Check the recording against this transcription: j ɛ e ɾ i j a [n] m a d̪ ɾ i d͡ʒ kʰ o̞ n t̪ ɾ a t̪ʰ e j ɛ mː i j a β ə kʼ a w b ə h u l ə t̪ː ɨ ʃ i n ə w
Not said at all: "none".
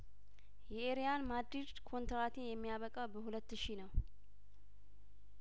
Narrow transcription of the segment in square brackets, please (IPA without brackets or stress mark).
n